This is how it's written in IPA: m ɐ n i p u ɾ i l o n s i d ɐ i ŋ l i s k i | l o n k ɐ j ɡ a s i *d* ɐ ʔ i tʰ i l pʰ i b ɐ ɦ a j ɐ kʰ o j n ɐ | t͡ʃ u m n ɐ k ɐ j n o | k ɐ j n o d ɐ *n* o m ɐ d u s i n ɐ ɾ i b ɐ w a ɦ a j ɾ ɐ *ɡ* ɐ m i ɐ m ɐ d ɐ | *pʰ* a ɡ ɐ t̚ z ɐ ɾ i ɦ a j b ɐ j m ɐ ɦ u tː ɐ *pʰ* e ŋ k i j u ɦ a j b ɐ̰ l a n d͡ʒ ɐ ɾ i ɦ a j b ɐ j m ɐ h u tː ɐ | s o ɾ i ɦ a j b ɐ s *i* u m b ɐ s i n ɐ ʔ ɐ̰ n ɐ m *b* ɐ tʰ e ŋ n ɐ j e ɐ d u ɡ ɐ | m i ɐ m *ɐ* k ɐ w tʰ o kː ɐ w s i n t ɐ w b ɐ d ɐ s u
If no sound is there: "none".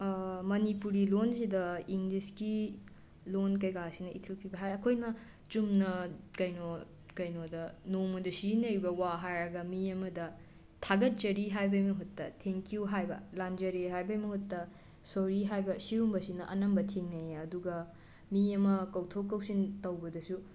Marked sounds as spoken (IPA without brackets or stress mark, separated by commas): n, n, ɡ, tʰ, tʰ, i, b, ɐ